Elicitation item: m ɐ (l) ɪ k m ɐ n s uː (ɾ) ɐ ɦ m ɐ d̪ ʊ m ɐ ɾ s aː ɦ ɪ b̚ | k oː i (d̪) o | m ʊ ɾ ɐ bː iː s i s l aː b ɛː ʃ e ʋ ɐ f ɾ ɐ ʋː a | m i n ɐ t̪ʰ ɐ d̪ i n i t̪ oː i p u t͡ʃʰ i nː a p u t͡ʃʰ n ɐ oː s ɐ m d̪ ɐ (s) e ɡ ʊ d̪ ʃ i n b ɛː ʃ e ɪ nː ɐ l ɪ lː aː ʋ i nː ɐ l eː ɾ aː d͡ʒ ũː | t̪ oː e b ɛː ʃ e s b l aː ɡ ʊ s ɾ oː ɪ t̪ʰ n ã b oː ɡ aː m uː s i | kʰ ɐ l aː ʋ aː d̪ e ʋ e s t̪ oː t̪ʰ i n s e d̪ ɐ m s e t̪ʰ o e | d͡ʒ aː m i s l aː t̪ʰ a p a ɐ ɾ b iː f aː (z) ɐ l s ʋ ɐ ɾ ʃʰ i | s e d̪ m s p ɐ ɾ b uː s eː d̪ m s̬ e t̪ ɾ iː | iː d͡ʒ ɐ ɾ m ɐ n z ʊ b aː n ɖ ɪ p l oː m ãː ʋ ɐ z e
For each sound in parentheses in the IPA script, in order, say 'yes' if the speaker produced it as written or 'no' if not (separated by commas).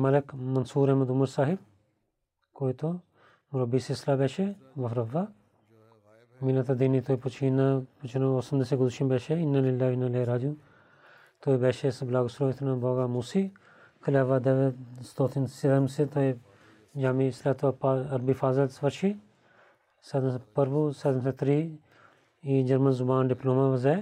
yes, yes, no, yes, yes